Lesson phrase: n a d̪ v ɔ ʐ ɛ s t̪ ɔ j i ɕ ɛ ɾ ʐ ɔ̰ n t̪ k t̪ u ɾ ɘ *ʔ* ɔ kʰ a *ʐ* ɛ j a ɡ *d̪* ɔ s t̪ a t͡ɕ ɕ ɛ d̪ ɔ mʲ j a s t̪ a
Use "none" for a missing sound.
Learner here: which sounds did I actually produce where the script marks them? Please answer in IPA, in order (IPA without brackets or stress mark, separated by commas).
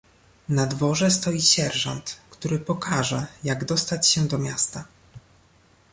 p, ʐ, d̪